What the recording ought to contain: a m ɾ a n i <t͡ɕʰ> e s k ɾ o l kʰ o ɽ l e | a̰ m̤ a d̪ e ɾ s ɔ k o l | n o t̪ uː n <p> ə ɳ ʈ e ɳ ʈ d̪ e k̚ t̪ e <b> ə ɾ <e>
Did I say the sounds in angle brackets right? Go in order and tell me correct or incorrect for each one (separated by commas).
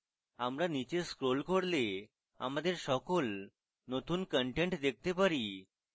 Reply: incorrect, incorrect, incorrect, incorrect